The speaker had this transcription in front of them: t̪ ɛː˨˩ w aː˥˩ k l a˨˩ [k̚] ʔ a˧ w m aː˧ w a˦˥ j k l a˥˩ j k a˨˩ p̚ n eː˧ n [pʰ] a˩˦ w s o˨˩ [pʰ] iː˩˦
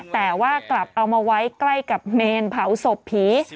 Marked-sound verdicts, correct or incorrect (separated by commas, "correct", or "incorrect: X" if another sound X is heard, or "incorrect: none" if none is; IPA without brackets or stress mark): incorrect: p̚, correct, correct